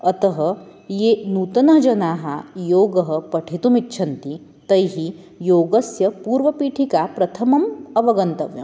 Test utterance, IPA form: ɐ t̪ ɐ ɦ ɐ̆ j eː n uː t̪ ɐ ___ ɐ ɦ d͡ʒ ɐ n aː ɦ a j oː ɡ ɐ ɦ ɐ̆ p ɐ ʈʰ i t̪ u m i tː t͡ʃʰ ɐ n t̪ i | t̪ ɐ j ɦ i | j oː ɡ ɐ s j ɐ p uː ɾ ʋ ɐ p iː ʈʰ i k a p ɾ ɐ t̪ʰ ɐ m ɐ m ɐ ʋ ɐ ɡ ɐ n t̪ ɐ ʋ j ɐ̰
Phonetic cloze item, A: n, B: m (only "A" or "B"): A